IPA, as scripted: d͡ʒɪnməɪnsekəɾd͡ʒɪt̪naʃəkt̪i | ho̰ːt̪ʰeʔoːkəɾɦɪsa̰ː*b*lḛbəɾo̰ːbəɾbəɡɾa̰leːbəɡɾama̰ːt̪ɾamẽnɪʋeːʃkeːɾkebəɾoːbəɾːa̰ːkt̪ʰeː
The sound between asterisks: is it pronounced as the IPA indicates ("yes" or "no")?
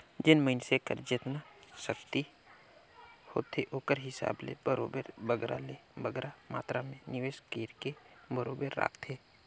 yes